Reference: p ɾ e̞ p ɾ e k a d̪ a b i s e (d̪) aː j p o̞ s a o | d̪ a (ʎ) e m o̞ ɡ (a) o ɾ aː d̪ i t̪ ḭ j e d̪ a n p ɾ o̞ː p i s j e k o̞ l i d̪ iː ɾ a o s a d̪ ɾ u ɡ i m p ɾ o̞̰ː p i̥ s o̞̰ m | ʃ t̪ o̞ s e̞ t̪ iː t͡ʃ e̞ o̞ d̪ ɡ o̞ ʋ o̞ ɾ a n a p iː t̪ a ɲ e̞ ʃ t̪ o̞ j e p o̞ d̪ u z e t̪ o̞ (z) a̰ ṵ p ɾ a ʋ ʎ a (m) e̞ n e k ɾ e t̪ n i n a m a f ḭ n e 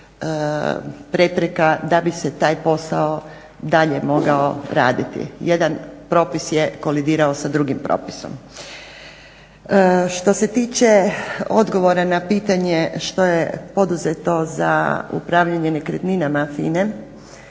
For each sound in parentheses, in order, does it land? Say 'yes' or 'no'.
no, yes, yes, yes, no

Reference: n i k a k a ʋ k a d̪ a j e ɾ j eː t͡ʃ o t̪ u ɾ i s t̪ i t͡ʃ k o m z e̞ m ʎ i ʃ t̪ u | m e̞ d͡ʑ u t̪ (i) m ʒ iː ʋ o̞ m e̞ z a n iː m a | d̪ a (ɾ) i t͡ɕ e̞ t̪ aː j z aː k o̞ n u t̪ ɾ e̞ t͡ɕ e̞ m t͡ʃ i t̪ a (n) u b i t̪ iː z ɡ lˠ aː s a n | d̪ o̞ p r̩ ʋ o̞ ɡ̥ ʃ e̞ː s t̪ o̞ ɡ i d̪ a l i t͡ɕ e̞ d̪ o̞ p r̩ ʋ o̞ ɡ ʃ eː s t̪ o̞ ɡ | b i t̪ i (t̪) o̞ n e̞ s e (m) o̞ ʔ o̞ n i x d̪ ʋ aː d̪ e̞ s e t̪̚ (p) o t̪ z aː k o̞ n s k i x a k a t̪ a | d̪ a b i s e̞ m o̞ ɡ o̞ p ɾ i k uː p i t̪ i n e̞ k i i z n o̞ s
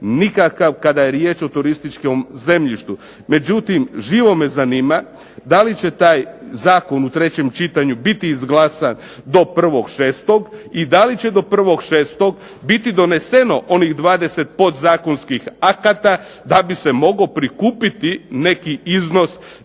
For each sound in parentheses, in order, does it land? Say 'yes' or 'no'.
yes, no, no, no, no, yes

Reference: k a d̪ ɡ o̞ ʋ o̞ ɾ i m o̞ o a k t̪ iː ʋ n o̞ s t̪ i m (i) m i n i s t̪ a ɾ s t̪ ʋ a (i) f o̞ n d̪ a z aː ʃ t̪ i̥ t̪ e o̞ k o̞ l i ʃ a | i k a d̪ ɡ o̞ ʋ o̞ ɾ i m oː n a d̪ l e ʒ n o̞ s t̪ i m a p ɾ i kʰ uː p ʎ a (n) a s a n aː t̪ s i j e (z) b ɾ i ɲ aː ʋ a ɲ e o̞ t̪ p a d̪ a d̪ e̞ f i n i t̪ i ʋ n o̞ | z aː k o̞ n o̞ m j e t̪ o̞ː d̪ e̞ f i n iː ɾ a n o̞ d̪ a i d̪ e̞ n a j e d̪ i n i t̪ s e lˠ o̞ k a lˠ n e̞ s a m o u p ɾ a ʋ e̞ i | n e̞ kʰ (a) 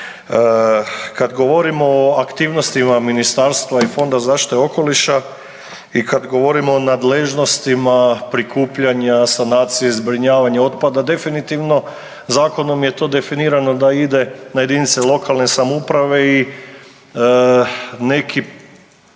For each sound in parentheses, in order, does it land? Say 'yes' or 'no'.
no, yes, no, yes, no

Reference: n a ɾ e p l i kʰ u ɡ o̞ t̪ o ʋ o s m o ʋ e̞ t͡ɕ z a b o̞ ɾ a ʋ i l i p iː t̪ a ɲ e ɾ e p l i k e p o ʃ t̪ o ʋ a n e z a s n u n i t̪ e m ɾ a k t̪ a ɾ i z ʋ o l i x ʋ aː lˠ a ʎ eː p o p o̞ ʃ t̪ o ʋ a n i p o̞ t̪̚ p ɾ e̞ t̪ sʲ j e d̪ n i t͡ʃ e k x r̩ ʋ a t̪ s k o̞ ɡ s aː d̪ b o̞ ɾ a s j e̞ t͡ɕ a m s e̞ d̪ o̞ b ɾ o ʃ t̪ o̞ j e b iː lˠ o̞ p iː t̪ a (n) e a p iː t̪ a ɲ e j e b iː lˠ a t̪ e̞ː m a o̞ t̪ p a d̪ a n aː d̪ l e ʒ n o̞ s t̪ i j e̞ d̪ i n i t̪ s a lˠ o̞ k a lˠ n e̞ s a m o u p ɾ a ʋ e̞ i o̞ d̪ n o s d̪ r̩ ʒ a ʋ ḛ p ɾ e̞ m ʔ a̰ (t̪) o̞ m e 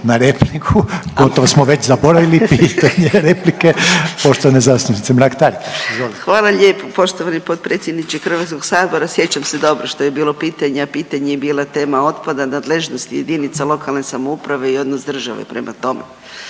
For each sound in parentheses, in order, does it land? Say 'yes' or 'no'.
no, yes

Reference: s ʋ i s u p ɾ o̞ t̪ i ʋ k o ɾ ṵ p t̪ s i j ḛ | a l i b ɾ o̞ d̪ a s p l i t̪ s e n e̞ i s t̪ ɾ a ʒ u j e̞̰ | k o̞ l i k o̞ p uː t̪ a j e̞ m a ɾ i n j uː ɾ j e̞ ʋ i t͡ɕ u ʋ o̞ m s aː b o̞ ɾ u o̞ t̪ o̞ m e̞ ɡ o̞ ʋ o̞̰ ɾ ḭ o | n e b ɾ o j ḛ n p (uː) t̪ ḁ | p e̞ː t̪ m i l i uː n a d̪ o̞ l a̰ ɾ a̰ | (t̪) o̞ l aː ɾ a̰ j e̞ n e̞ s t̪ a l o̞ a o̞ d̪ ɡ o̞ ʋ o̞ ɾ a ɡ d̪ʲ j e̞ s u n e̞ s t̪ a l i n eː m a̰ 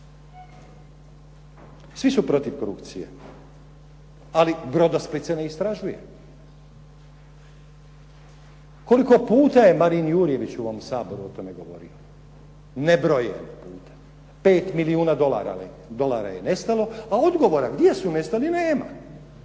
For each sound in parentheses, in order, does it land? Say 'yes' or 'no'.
yes, no

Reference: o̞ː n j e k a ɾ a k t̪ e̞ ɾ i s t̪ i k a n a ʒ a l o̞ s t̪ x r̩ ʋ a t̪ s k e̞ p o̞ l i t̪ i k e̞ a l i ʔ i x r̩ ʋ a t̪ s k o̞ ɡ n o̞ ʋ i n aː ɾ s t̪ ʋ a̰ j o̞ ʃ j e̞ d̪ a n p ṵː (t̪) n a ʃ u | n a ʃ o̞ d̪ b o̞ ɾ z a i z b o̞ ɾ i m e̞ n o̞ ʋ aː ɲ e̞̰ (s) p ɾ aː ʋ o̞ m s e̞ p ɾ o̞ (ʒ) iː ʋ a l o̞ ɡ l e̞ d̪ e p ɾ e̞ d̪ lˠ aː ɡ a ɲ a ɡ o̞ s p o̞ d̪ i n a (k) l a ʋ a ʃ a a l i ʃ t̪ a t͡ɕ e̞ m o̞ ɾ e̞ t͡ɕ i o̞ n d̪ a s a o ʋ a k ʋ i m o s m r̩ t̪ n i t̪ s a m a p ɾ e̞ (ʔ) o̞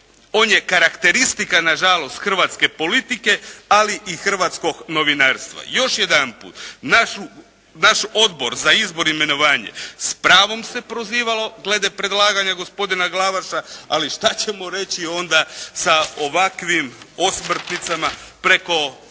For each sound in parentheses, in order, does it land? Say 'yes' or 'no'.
yes, yes, no, no, no

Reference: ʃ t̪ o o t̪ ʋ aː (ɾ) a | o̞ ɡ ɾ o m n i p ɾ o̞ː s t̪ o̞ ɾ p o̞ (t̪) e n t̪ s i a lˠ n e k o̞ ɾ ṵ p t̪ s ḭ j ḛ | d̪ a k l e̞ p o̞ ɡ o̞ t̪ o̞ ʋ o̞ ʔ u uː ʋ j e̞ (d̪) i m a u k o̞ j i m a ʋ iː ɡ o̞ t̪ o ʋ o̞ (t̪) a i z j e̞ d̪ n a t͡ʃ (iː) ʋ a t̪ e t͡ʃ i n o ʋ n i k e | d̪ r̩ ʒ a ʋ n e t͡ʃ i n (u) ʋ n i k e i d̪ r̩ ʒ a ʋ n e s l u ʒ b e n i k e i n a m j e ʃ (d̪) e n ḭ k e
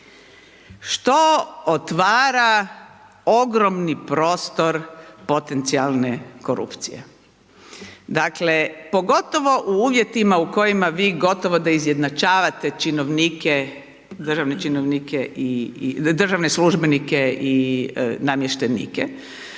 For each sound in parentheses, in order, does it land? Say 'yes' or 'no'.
yes, yes, no, no, no, no, no

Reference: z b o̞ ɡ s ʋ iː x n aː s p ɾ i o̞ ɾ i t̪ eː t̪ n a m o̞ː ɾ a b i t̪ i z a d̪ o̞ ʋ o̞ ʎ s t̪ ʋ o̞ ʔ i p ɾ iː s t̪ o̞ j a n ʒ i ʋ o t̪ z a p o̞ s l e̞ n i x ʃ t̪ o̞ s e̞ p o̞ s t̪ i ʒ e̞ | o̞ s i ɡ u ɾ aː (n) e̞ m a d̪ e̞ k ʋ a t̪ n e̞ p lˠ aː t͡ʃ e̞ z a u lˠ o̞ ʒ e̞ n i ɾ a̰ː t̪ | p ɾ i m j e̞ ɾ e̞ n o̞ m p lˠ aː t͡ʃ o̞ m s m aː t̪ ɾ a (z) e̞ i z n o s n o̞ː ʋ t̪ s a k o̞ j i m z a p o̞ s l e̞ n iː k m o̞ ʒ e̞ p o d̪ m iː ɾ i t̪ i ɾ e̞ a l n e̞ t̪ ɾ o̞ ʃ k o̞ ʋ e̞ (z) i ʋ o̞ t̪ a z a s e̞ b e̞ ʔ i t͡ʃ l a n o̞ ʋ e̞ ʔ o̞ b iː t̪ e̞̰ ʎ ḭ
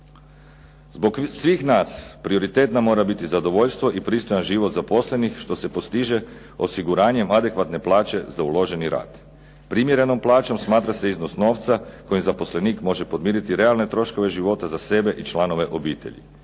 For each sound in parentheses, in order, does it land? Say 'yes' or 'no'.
no, no, no

